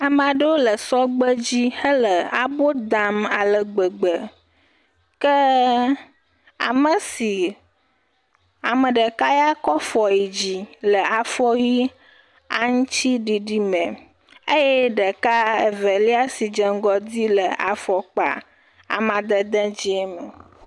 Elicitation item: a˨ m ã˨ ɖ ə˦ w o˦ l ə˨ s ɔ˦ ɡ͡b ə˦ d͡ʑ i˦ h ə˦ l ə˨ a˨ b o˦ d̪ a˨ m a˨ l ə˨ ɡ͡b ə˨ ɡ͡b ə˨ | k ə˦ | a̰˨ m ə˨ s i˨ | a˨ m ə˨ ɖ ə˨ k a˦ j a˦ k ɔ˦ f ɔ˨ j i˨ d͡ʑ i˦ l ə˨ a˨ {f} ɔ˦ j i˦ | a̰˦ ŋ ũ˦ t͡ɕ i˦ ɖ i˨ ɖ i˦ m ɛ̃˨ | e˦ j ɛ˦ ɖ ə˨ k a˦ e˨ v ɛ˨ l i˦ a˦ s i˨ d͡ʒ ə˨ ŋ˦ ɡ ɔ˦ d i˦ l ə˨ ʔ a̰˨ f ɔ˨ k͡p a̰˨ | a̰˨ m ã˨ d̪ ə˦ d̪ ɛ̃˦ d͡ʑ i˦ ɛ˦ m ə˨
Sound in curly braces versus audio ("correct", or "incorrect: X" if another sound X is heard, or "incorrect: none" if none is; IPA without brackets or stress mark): correct